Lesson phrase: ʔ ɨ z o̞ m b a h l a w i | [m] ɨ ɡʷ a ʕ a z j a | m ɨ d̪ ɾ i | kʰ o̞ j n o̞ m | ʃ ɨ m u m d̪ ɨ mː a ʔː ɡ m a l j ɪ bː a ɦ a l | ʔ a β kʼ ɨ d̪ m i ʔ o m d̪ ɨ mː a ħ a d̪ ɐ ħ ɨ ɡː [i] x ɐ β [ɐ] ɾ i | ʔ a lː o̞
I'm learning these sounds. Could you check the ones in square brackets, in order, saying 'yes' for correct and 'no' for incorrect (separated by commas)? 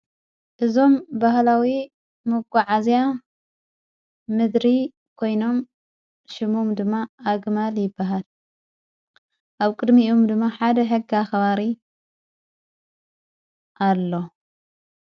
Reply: yes, no, no